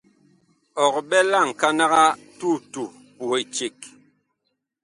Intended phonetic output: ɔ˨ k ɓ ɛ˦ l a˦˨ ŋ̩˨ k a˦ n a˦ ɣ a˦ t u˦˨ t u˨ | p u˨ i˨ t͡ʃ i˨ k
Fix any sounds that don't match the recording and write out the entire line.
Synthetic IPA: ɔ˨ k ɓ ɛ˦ l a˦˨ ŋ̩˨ k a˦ n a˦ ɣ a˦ t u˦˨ t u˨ | p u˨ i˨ t͡ʃ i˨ k